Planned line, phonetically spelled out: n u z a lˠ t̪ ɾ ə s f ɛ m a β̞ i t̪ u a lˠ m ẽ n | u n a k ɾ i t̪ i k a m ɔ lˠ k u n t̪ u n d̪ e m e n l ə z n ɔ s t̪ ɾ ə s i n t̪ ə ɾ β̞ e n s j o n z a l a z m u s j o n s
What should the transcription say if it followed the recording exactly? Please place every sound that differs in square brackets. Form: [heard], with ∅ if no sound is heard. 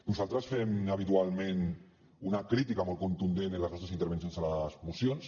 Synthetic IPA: n u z a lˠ t̪ ɾ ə s f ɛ m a β̞ i t̪ u a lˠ m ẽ n | u n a k ɾ i t̪ i k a m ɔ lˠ k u n t̪ u n d̪ e [n] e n l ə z n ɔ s t̪ ɾ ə s i n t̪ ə ɾ β̞ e n s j o n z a l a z m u s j o n s